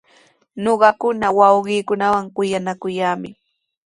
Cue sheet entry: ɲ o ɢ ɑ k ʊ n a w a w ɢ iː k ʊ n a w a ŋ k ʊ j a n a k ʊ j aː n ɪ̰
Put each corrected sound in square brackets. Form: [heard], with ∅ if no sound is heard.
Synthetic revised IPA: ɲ o ɢ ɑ k ʊ n a w [ɑ] w ɢ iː k ʊ n a w a ŋ k ʊ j a n a k ʊ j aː [m] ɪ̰